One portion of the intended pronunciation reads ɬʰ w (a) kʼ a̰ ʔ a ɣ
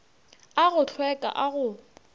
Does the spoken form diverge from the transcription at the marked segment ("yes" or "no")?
yes